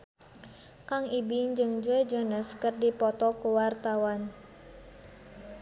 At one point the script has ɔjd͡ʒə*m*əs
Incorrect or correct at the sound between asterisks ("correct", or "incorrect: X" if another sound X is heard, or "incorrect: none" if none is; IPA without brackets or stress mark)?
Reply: incorrect: n